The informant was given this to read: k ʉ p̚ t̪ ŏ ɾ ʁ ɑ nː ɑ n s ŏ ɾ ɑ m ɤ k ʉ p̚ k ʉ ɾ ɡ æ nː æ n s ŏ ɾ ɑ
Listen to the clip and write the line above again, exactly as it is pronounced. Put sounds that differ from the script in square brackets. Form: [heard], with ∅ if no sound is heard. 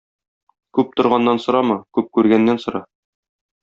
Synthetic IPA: k ʉ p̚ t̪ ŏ ɾ ʁ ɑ nː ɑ n s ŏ ɾ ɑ m ɤ k ʉ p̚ k ʉ ɾ ɡ æ nː æ n s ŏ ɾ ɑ